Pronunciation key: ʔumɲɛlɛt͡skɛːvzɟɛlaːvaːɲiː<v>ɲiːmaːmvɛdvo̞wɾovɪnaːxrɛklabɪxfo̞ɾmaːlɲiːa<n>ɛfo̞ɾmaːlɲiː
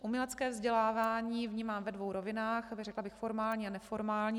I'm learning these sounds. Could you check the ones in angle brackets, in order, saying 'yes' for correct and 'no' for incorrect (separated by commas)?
yes, yes